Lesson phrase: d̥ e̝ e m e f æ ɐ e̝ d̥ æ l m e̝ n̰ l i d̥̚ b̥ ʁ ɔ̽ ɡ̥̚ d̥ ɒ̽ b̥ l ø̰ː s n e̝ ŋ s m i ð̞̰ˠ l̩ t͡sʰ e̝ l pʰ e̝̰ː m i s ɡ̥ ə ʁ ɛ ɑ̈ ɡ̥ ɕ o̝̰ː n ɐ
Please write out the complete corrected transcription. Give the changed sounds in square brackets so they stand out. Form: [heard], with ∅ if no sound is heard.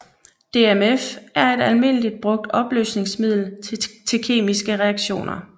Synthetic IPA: d̥ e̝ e m e f æ ɐ e̝ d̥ æ l m e̝ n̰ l i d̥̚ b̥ ʁ ɔ̽ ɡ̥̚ d̥ ɒ̽ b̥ l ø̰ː s n e̝ ŋ s m i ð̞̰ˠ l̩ t͡sʰ e̝ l [kʰ] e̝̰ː m i s ɡ̥ ə ʁ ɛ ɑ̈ ɡ̥ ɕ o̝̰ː n ɐ